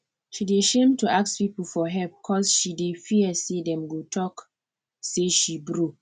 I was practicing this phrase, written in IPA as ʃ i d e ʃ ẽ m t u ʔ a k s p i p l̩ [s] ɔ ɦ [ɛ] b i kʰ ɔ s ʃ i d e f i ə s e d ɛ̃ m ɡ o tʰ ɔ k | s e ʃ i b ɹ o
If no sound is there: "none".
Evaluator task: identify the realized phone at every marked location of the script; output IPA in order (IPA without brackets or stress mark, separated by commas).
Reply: f, ɛ